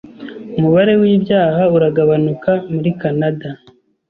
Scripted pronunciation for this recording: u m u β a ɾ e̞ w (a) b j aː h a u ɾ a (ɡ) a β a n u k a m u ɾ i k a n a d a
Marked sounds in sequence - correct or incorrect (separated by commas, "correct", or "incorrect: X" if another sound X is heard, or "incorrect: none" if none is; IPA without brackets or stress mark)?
incorrect: i, correct